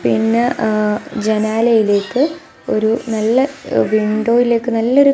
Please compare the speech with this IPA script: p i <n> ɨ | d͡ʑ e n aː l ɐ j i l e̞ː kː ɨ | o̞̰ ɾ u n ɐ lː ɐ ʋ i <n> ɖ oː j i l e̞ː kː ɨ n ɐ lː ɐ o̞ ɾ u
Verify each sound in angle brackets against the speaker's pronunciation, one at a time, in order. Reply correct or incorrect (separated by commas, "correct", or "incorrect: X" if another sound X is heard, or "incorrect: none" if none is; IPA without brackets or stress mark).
incorrect: nː, incorrect: ɳ